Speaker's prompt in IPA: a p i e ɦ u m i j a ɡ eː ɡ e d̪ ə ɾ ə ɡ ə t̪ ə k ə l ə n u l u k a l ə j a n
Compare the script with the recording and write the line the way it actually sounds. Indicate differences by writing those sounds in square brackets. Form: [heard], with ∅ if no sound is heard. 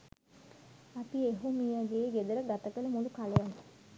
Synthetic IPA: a p i e ɦ u m i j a ɡ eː ɡ e d̪ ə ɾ ə ɡ [a] t̪ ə k ə l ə [m] u l u k a l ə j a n